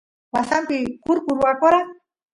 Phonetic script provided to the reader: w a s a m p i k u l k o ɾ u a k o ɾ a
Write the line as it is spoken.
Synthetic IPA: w a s a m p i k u ɾ k u ɾ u a k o ɾ a